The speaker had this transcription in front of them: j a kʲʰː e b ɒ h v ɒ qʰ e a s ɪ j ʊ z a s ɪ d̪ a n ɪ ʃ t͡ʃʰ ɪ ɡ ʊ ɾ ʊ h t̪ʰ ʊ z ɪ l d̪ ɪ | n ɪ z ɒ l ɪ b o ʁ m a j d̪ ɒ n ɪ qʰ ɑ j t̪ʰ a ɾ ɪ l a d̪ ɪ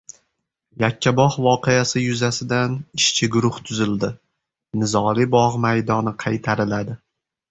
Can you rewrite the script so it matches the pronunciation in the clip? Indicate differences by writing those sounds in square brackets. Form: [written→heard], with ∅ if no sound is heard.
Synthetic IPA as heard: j a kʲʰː [e→a] b ɒ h v ɒ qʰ e a s ɪ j ʊ z a s ɪ d̪ a n ɪ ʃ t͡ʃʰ ɪ ɡ ʊ ɾ ʊ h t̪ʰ ʊ z ɪ l d̪ ɪ | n ɪ z ɒ l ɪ b [o→ɒ] ʁ m a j d̪ ɒ n ɪ qʰ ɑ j t̪ʰ a ɾ ɪ l a d̪ ɪ